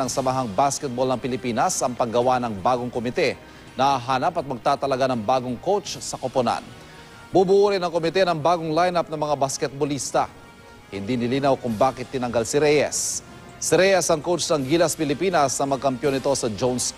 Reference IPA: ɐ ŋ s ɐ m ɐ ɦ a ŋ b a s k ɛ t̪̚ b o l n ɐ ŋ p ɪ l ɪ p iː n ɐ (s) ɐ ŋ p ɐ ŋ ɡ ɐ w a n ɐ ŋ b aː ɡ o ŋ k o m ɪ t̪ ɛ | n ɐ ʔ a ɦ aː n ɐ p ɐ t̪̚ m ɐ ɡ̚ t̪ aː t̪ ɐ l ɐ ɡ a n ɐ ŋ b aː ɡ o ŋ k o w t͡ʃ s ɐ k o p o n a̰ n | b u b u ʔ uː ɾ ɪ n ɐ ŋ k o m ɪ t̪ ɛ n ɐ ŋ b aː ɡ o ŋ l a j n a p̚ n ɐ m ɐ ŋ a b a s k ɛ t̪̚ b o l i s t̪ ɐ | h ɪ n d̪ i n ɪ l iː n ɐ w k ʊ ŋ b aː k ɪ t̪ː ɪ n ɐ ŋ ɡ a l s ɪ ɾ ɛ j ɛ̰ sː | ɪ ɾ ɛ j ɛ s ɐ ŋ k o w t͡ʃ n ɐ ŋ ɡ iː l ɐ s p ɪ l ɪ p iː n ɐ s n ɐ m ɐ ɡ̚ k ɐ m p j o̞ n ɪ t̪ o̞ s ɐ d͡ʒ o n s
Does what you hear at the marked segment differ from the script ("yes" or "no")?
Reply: no